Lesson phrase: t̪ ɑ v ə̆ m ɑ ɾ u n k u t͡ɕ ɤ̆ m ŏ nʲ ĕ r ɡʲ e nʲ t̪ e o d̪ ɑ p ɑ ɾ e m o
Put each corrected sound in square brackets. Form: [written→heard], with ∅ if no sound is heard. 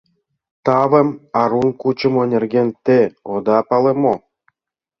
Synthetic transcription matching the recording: t̪ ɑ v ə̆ m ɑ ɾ u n k u t͡ɕ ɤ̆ m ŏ nʲ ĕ r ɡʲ e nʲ t̪ e o d̪ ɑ p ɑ [ɾ→l] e m o